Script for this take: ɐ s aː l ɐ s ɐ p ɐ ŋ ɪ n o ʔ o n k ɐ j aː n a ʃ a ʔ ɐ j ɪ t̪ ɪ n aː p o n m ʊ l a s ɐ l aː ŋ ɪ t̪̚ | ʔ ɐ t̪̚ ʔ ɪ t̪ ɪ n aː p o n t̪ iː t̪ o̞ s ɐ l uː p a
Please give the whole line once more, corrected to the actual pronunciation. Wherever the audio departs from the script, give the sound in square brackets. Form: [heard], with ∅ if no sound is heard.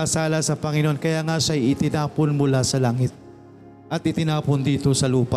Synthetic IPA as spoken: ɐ s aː l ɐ s ɐ p ɐ ŋ ɪ n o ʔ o n k ɐ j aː [ŋ] a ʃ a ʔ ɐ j ɪ t̪ ɪ n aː p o n m ʊ l a s ɐ l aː ŋ ɪ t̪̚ | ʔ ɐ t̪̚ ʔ ɪ t̪ ɪ n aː p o n [d̪] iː t̪ o̞ s ɐ l uː p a